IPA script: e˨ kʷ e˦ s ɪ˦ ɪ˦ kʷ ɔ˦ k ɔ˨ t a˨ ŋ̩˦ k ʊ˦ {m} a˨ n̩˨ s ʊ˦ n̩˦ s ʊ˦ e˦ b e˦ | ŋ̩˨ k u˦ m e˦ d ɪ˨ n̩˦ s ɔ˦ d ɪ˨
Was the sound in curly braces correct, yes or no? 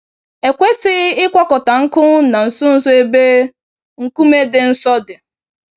no